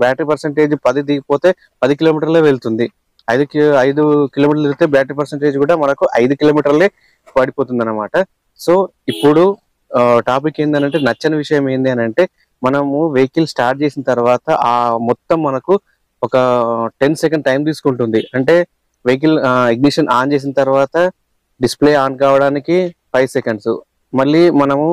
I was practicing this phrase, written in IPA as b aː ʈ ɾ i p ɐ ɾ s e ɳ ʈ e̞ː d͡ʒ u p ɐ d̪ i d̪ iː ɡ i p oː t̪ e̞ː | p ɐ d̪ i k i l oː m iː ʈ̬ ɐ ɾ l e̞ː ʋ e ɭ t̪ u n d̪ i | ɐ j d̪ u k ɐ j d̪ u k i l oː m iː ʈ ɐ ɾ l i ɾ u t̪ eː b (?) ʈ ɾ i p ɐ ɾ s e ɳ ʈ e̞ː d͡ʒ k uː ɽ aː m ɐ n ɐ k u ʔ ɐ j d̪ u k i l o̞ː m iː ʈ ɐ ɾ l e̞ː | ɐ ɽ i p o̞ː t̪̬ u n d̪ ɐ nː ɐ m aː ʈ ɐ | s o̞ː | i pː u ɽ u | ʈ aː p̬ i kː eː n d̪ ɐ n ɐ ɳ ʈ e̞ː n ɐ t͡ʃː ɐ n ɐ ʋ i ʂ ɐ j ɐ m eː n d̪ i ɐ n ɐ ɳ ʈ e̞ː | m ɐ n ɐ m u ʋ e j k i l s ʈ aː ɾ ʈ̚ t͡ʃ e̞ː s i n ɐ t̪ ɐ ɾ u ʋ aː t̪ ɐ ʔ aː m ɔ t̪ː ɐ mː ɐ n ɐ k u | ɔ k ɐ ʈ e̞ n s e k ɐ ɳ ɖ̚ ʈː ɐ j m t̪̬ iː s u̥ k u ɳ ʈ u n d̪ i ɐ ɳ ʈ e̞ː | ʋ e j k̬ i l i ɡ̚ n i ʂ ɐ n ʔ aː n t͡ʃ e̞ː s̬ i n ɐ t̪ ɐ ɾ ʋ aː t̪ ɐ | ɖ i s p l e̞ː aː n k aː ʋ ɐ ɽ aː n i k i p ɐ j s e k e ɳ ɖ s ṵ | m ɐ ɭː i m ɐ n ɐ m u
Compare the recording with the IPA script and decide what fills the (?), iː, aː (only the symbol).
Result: aː